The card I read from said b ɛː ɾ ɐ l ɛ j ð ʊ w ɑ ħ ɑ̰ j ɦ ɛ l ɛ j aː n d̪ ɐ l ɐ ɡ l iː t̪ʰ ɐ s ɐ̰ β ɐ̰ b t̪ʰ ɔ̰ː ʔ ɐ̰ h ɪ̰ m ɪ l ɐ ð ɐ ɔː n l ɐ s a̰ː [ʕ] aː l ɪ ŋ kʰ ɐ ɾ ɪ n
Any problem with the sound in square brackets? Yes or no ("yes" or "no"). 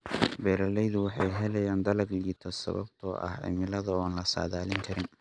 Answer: yes